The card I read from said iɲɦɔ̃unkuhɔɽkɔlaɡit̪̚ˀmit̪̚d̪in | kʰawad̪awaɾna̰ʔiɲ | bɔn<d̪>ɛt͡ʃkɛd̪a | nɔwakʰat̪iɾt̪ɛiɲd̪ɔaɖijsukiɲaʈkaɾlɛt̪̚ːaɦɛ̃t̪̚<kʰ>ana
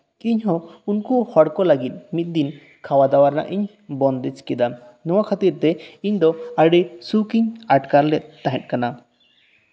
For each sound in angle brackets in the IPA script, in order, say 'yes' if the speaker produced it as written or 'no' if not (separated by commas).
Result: yes, no